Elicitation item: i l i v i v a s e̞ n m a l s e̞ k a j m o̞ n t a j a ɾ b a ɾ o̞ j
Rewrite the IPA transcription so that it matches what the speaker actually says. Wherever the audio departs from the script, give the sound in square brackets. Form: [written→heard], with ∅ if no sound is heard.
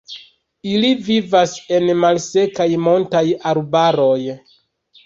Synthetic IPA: i l i v i v a s e̞ n m a l s e̞ k a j m o̞ n t a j a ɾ b a ɾ o̞ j